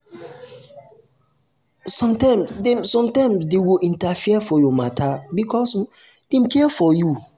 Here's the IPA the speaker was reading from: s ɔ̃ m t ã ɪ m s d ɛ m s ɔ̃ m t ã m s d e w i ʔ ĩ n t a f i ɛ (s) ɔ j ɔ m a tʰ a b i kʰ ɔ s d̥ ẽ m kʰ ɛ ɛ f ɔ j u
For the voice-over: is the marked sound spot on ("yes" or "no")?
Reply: no